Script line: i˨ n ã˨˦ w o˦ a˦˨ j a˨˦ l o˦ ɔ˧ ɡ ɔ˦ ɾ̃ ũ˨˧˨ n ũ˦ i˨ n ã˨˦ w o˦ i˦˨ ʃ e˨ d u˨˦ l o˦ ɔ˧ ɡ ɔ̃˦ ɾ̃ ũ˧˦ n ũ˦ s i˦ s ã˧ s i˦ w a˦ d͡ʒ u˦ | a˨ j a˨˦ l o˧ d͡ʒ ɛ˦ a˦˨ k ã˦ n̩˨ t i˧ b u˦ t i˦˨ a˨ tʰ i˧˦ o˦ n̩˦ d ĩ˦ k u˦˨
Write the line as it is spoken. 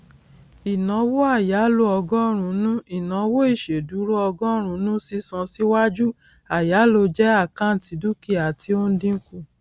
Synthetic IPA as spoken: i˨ n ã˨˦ w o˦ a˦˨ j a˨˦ l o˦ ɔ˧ ɡ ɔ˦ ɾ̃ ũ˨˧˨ n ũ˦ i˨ n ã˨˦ w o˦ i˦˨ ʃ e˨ d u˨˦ ɾ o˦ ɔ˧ ɡ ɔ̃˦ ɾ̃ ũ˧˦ n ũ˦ s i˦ s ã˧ s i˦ w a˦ d͡ʒ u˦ | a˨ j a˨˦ l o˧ d͡ʒ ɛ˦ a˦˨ k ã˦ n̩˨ t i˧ d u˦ k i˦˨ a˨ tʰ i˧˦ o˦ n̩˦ d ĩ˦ k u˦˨